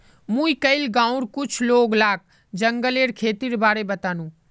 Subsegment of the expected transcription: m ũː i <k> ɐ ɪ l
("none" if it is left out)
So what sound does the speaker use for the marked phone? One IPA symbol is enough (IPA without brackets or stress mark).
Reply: k